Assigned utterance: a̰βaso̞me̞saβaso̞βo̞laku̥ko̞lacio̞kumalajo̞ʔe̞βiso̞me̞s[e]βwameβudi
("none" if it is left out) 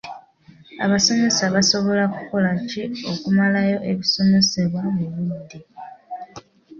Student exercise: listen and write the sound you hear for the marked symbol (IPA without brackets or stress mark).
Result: e